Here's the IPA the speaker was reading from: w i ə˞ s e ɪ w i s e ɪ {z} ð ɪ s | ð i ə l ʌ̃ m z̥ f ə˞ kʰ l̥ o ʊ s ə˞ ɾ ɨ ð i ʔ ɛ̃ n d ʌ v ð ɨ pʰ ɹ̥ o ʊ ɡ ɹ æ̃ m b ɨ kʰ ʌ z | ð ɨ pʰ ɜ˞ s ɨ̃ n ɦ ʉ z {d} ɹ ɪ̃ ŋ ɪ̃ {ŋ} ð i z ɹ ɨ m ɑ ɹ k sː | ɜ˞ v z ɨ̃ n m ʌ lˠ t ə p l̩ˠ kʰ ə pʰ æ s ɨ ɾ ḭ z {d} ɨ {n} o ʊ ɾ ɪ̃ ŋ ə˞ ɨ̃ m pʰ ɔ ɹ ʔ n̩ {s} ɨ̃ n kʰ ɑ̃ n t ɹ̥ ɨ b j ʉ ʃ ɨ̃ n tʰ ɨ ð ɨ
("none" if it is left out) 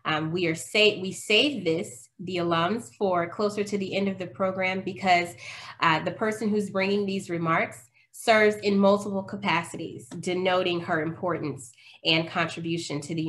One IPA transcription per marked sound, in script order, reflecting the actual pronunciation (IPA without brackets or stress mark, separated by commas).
v, b, ŋ, d, n, s